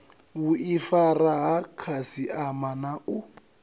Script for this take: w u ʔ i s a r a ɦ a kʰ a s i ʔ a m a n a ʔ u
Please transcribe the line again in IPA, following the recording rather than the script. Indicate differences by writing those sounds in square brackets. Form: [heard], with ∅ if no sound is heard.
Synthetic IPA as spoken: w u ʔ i [f] a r a ɦ a kʰ a s i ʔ a m a n a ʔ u